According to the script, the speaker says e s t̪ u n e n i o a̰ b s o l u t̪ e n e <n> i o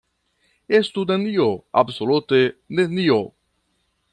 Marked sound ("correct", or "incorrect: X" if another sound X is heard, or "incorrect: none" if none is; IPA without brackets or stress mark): correct